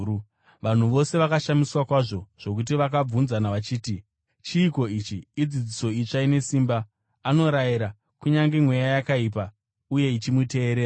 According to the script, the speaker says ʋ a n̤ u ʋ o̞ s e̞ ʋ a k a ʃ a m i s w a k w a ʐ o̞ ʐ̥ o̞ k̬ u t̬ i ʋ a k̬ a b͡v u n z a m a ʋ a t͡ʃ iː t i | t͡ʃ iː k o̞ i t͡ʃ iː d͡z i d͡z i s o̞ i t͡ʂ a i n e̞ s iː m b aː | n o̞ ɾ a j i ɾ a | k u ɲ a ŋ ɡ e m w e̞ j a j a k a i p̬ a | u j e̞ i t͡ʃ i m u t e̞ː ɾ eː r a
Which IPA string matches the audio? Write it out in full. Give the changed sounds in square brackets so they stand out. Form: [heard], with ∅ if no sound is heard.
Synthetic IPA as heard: ʋ a n̤ u ʋ o̞ s e̞ ʋ a k a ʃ a m i s w a k w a ʐ o̞ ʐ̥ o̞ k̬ u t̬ i ʋ a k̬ a b͡v u n z a [n] a ʋ a t͡ʃ iː t i | t͡ʃ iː k o̞ i t͡ʃ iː d͡z i d͡z i s o̞ i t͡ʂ a i n e̞ s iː m b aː | n o̞ ɾ a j i ɾ a | k u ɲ a ŋ ɡ e m w e̞ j a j a k a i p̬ a | u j e̞ i t͡ʃ i m u t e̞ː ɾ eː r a